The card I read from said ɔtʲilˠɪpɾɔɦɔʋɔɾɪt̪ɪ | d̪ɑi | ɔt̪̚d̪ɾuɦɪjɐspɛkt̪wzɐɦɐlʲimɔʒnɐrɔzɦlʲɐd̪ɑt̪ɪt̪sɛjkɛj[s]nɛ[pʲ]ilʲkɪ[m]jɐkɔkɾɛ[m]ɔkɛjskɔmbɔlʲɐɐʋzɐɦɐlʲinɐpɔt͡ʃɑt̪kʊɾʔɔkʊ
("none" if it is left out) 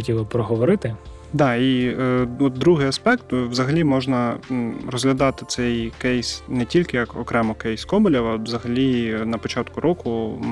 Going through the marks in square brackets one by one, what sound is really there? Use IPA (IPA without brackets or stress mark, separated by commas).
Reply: s, tʲ, none, m